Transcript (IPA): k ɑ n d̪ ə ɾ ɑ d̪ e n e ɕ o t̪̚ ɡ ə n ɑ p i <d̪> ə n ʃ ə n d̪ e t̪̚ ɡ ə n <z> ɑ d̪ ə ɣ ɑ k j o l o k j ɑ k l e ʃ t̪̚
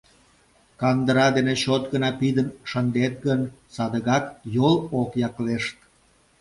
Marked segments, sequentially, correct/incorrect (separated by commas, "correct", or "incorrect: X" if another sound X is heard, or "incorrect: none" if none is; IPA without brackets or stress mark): correct, incorrect: s